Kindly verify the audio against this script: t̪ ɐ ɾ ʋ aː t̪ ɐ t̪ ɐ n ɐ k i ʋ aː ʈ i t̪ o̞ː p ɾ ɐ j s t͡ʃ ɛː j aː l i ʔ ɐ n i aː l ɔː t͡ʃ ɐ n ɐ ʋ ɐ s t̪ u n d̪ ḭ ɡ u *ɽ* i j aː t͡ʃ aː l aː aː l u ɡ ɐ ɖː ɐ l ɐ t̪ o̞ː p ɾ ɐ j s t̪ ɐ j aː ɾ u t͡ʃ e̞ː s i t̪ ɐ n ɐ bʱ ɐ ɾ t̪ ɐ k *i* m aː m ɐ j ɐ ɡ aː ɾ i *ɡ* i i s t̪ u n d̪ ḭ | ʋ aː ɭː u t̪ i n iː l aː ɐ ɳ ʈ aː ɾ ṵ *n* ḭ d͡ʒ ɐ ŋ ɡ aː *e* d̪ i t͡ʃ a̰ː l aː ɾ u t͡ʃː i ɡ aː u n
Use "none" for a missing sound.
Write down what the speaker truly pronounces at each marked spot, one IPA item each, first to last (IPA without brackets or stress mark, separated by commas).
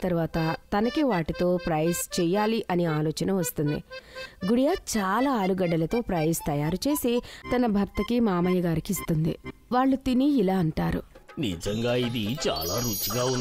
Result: ɽ, i, k, n, i